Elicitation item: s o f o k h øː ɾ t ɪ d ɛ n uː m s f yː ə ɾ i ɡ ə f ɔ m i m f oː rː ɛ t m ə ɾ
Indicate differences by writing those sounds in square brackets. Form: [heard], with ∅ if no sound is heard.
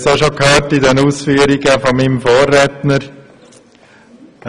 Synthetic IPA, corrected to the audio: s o [ʃ] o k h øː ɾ t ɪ d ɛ n uː [∅] s f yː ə ɾ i ɡ ə f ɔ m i m f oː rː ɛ t [n] ə ɾ